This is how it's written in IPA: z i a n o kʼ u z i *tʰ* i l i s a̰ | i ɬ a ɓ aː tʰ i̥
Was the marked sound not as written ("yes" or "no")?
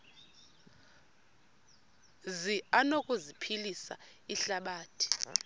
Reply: yes